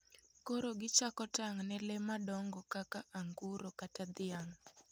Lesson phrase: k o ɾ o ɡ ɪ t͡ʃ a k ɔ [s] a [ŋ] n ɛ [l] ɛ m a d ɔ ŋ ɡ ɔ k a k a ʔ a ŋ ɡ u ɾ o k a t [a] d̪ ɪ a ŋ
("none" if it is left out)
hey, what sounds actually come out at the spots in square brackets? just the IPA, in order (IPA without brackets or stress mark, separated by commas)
t, ŋ, l, a